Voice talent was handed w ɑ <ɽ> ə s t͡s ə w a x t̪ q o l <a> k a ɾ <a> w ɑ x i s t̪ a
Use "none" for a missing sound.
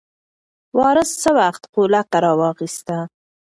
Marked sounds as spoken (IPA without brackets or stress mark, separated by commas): ɾ, a, ɑ